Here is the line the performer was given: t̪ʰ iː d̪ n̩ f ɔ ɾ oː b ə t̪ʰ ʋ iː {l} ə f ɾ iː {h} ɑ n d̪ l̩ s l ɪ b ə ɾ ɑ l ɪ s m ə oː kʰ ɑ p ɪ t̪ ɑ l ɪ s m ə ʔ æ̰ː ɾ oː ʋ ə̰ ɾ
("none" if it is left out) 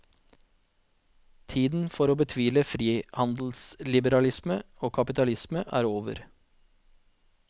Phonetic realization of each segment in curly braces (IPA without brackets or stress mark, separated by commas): l, h